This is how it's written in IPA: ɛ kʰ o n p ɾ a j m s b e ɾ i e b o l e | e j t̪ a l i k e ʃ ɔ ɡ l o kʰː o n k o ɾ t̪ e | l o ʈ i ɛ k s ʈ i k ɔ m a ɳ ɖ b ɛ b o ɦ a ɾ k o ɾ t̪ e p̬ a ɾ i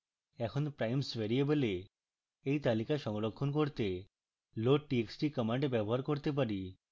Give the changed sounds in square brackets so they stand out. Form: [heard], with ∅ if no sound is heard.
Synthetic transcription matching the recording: ɛ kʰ o n p ɾ a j m s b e ɾ i e b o l e | e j t̪ a l i k [a] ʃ ɔ [ŋ] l o kʰː o n k o ɾ t̪ e | l o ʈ i [e] k s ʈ i k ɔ m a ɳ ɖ b ɛ b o ɦ a ɾ k o ɾ t̪ e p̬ a ɾ i